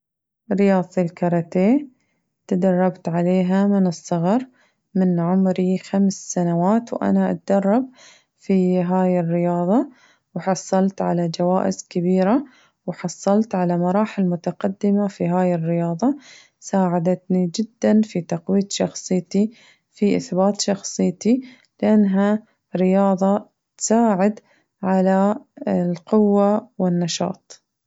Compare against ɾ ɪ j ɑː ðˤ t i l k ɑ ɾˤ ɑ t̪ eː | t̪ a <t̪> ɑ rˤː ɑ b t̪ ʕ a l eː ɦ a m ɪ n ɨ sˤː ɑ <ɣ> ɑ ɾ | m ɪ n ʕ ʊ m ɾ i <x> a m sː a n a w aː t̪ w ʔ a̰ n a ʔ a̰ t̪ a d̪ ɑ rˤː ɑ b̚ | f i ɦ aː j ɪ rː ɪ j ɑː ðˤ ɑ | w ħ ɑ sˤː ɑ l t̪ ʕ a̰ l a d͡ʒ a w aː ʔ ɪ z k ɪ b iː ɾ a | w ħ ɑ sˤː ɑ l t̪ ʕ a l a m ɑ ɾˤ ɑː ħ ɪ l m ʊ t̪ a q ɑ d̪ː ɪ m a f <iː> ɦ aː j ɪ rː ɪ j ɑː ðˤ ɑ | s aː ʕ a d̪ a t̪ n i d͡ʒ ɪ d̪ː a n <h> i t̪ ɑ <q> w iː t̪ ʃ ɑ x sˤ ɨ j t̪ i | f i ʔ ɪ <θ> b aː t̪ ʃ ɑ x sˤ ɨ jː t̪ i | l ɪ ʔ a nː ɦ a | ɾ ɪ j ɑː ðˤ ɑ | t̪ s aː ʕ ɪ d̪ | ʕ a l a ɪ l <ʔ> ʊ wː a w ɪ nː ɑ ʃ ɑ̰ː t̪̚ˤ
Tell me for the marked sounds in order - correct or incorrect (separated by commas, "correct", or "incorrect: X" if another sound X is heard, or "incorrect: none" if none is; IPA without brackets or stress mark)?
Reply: incorrect: d̪, correct, correct, incorrect: i, incorrect: f, correct, correct, incorrect: q